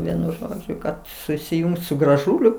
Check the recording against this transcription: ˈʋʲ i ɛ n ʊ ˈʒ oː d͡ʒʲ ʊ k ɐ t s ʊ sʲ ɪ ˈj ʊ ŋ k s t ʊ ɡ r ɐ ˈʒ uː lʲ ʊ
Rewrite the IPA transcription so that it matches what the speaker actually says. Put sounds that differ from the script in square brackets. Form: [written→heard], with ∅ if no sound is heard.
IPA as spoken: ˈʋʲ i ɛ n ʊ ˈʒ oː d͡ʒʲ ʊ k ɐ t s ʊ sʲ ɪ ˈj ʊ ŋ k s [t→s] ʊ ɡ r ɐ ˈʒ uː lʲ ʊ